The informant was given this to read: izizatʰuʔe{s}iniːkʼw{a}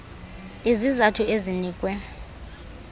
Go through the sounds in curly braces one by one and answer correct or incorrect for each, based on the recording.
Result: incorrect: z, incorrect: ɛ

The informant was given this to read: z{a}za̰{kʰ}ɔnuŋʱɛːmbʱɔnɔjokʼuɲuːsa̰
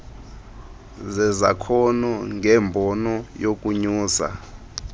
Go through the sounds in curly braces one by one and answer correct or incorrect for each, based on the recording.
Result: incorrect: ɛ, correct

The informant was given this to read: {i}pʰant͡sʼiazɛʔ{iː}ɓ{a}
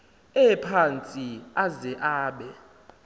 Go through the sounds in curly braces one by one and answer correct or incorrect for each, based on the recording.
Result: incorrect: ɛ, incorrect: aː, incorrect: ɛ

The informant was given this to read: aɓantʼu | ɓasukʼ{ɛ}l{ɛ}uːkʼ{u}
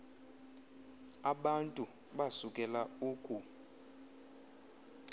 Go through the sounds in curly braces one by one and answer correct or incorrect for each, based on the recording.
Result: correct, incorrect: a, correct

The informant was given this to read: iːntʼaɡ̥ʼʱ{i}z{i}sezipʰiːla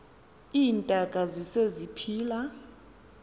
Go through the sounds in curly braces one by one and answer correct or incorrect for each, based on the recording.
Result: incorrect: a, correct

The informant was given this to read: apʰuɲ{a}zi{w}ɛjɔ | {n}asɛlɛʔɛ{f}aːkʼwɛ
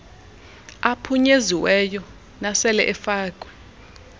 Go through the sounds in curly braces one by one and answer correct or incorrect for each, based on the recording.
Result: incorrect: e, correct, correct, correct

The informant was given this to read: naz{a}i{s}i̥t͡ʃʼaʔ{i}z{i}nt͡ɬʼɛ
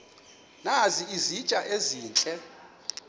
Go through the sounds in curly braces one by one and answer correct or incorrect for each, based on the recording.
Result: incorrect: i, incorrect: z, incorrect: e, incorrect: iː

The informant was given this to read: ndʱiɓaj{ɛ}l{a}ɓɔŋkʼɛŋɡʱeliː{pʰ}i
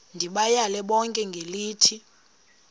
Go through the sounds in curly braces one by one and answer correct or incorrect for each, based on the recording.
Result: incorrect: a, incorrect: ɛ, incorrect: tʰ

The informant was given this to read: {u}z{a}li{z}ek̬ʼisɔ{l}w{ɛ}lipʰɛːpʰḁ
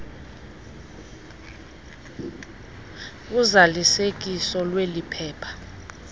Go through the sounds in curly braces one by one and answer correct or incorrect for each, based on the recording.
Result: correct, correct, incorrect: s, correct, incorrect: e

